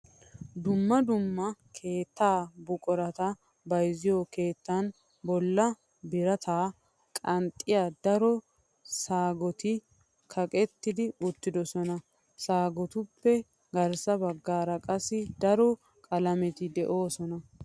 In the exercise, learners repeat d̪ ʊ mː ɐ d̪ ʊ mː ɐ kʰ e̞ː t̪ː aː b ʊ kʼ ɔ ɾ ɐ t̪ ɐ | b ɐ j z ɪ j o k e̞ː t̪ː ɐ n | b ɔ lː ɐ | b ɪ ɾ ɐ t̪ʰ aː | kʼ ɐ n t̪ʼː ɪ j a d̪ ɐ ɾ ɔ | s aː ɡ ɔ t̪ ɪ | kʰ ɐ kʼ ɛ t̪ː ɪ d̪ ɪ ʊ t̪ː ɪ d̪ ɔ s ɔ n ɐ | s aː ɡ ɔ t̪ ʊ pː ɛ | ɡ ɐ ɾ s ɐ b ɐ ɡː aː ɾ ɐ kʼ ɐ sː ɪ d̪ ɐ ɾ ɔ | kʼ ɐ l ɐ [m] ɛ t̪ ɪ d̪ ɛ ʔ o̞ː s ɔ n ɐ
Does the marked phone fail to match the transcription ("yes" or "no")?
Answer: no